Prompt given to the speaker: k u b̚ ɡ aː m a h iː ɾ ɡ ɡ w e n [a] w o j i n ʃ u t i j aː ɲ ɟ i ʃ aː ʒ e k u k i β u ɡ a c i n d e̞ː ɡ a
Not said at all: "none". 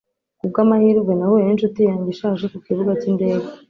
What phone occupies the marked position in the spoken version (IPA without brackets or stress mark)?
a